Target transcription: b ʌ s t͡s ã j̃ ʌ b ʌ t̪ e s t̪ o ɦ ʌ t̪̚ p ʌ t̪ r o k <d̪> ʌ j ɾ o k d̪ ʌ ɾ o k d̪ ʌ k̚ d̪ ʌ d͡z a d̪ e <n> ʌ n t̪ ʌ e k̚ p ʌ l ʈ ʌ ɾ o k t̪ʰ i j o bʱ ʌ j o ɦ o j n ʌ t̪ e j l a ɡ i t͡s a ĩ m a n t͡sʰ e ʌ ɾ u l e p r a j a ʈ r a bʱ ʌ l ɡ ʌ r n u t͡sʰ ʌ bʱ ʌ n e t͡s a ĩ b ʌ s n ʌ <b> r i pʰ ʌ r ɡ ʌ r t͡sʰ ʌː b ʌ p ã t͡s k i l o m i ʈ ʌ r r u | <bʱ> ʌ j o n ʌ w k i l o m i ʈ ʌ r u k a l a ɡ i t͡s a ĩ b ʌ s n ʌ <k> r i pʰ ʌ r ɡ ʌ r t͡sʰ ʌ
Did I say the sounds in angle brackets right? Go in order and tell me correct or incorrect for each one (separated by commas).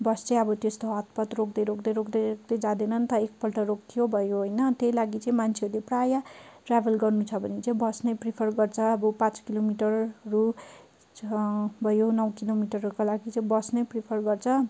correct, correct, incorrect, correct, incorrect